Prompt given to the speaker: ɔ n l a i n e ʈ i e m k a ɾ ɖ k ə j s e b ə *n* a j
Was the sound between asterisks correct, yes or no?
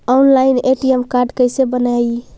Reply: yes